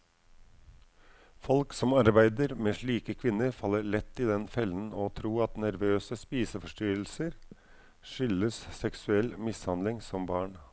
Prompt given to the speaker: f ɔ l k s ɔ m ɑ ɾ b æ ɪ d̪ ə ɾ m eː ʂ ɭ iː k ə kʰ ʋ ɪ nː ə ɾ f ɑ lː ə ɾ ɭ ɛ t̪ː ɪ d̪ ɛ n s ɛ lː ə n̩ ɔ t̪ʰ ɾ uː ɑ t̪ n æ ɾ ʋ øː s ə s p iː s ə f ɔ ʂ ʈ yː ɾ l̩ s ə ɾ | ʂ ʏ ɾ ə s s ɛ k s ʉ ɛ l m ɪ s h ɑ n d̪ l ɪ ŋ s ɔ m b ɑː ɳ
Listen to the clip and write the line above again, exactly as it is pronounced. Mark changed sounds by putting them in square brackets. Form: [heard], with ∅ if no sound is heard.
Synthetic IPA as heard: f ɔ l k s ɔ m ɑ ɾ b æ ɪ d̪ ə ɾ m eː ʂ ɭ iː k ə kʰ ʋ ɪ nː ə ɾ f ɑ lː ə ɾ ɭ ɛ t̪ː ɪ d̪ ɛ n [f] ɛ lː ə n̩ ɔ t̪ʰ ɾ uː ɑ t̪ n æ ɾ ʋ øː s ə s p iː s ə f ɔ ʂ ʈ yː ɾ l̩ s ə ɾ | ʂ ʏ [l] ə s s ɛ k s ʉ ɛ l m ɪ s h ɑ n d̪ l ɪ ŋ s ɔ m b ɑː ɳ